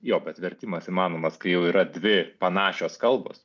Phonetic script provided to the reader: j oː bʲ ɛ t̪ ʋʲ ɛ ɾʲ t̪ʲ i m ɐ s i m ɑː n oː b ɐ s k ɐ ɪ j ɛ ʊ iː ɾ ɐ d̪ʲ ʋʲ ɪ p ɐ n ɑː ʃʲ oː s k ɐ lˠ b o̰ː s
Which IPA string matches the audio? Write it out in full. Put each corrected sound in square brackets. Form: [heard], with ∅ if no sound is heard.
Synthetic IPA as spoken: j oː bʲ ɛ t̪ ʋʲ ɛ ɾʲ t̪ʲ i m ɐ s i m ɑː n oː [m] ɐ s k ɐ ɪ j ɛ ʊ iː ɾ ɐ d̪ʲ ʋʲ ɪ p ɐ n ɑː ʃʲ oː s k ɐ lˠ b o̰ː s